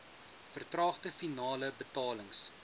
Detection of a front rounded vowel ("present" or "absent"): absent